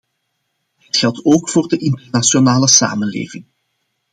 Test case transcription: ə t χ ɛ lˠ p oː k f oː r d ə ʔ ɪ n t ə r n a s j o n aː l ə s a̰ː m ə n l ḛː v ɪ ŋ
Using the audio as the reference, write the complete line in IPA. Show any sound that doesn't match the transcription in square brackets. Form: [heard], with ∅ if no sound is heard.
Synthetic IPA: ə t [x] ɛ lˠ [t] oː k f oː r d ə ʔ ɪ n t ə r n a s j o n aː l ə s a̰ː m ə n l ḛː v ɪ ŋ